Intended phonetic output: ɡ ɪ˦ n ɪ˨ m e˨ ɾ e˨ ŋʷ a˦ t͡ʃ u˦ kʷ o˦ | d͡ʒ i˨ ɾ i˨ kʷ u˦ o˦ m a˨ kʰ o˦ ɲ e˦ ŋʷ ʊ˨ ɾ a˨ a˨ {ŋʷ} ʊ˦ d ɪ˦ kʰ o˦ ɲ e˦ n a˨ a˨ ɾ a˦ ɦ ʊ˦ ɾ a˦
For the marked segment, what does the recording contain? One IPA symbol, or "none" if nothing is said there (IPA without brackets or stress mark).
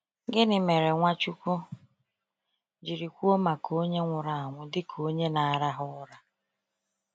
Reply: ŋʷ